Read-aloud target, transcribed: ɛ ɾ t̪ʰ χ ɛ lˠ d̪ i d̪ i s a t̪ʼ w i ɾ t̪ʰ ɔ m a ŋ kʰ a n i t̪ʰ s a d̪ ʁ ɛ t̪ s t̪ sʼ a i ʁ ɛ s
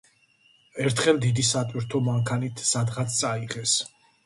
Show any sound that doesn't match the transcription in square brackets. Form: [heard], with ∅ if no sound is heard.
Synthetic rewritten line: ɛ ɾ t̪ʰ χ ɛ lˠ d̪ i d̪ i s a t̪ʼ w i ɾ t̪ʰ ɔ m a ŋ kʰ a n i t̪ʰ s a d̪ ʁ [a] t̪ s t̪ sʼ a i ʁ ɛ s